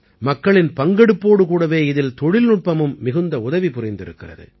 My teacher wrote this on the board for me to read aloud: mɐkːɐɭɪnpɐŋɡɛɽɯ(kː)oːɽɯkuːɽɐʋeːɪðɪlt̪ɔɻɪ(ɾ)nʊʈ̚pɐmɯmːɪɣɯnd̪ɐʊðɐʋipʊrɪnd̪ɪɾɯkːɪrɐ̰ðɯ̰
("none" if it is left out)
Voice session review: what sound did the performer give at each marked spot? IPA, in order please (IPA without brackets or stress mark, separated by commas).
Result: pː, l